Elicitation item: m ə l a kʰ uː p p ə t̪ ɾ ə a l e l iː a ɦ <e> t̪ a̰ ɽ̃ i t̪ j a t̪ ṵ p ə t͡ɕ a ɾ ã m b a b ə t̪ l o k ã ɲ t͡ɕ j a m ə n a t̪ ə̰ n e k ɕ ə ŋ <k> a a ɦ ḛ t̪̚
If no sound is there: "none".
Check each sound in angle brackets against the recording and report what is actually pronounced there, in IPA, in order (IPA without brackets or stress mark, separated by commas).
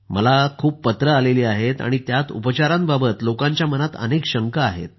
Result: e, k